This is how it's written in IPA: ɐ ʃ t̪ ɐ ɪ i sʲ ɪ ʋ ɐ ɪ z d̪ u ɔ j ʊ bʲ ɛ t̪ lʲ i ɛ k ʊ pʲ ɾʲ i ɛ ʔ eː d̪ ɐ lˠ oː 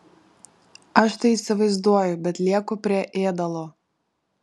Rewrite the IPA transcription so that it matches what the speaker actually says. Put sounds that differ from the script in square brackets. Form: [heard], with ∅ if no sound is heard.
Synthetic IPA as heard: ɐ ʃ t̪ ɐ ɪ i sʲ ɪ ʋ ɐ ɪ z d̪ u ɔ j ʊ bʲ ɛ t̪ lʲ i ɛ k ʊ pʲ ɾʲ i ɛ ʔ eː d̪ ɐ lˠ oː